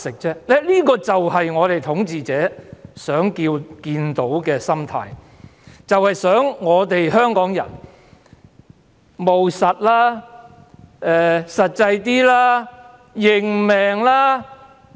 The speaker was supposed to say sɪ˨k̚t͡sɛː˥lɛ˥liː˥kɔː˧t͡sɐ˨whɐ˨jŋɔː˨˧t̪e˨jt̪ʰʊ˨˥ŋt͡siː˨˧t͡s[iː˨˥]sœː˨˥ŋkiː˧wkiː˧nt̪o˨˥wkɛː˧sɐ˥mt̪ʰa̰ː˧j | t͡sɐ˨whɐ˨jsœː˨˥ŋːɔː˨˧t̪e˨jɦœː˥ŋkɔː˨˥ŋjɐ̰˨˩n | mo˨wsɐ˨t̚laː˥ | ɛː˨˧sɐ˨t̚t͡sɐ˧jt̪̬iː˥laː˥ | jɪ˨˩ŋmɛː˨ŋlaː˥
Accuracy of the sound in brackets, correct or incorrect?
incorrect